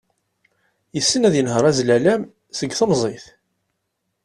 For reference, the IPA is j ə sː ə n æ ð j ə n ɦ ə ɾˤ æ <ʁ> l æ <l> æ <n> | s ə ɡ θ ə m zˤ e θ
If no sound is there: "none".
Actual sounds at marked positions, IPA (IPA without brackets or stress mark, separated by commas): z, l, m